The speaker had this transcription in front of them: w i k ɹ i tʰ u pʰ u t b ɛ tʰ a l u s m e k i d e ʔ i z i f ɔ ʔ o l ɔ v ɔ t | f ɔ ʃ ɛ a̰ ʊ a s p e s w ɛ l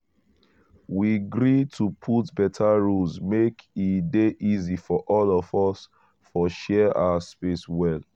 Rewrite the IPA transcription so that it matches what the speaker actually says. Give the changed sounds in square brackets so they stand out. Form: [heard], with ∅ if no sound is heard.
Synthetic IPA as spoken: w i [ɡ] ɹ i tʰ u pʰ u t b ɛ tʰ a [ɹ] u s m e k i d e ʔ i z i f ɔ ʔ [ɔ] l ɔ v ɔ [s] | f ɔ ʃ ɛ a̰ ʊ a s p e s w ɛ l